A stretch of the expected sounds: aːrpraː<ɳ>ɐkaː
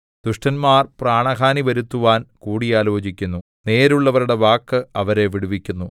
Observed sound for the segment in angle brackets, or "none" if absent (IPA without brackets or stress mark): ɳ